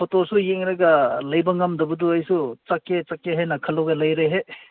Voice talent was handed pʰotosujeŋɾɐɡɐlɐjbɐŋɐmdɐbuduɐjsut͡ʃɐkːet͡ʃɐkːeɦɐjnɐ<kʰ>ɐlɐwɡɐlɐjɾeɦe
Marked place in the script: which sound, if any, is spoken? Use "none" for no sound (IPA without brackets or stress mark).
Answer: kʰ